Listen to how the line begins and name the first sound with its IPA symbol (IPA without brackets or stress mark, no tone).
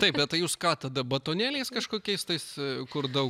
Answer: t̪